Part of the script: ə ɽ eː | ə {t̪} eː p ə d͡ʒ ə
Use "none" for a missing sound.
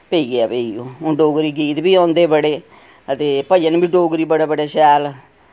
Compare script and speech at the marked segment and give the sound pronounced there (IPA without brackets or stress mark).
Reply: t̪